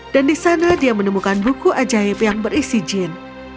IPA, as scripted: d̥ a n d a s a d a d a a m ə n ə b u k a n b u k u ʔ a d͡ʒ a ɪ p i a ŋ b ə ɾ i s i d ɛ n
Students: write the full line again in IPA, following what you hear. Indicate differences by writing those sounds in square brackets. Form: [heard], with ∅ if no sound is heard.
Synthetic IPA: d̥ a n d [i] s a [n] a d [i] a m ə n ə [m] u k a n b u k u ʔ a d͡ʒ a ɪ p [j] a ŋ b ə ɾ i s i [d͡ʒ] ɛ n